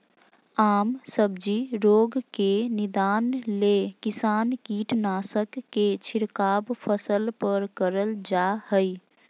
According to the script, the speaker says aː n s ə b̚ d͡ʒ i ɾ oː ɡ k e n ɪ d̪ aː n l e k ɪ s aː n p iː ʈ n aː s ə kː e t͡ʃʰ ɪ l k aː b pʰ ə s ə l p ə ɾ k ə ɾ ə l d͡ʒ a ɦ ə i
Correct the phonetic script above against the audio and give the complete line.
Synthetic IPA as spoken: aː m s ə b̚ d͡ʒ i ɾ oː ɡ k e n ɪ d̪ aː n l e k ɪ s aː n k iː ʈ n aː s ə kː e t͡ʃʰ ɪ ɾ k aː b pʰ ə s ə l p ə ɾ k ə ɾ ə l d͡ʒ a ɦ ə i